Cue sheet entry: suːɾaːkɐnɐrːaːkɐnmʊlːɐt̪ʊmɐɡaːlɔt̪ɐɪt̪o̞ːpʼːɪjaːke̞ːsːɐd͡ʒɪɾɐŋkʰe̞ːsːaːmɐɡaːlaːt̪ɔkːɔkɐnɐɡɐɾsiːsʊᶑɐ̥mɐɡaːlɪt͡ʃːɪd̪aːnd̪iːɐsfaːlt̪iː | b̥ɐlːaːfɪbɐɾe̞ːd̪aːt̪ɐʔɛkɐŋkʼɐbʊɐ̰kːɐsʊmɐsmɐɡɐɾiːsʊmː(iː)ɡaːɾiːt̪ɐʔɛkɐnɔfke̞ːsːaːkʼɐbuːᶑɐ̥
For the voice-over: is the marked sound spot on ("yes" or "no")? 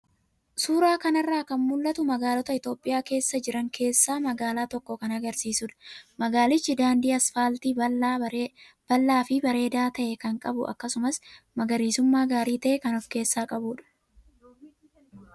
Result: no